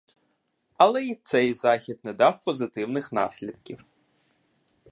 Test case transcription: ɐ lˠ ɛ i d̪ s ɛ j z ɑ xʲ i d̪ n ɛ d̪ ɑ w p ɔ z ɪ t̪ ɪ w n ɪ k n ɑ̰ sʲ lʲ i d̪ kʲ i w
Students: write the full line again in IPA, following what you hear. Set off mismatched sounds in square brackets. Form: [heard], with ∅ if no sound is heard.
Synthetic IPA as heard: ɐ lˠ ɛ i [t̪] s ɛ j z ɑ xʲ i d̪ n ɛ d̪ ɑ w p ɔ z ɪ t̪ ɪ w n ɪ [x] n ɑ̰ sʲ lʲ i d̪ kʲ i w